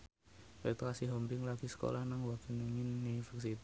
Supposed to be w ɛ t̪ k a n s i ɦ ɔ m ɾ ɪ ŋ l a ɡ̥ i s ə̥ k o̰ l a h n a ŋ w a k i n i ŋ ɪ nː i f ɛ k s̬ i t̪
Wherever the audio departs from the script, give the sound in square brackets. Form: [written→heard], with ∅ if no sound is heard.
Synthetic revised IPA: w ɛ t̪ k a [n→∅] s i ɦ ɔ m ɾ ɪ ŋ l a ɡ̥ i s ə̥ k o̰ l a h n a ŋ w a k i n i ŋ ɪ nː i f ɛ k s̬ i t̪